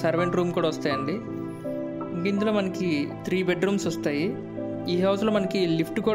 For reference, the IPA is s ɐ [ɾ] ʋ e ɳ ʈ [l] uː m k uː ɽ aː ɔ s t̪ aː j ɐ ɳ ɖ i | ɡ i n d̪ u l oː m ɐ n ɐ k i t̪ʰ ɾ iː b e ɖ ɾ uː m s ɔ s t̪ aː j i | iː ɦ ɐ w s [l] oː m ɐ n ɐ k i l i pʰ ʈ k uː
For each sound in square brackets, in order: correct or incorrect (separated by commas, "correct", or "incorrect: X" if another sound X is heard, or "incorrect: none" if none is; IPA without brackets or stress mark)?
correct, incorrect: ɾ, correct